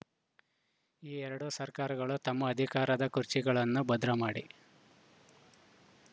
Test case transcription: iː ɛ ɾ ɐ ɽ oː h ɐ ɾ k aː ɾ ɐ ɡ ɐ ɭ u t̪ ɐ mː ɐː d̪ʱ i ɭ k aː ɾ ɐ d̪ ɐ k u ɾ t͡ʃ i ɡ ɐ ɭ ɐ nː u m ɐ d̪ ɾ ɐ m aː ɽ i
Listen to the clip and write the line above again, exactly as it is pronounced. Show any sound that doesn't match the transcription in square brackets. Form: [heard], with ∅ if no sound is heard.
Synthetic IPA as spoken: iː ɛ ɾ ɐ ɽ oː [s] ɐ ɾ k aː ɾ ɐ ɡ ɐ ɭ u t̪ ɐ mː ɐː d̪ʱ i [∅] k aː ɾ ɐ d̪ ɐ k u ɾ t͡ʃ i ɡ ɐ ɭ ɐ nː u [b] ɐ d̪ ɾ ɐ m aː ɽ i